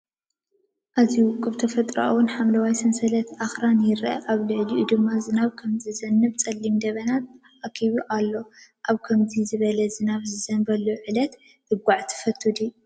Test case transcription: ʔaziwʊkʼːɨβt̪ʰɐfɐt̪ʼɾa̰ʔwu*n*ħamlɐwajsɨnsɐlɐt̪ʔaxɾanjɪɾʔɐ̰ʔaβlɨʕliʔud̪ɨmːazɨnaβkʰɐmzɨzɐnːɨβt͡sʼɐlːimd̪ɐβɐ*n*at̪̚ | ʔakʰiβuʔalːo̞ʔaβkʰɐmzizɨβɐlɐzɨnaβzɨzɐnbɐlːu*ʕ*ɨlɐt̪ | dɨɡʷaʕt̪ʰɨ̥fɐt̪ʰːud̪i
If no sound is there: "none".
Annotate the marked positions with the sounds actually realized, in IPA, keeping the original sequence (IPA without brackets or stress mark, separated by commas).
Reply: n, n, ʕ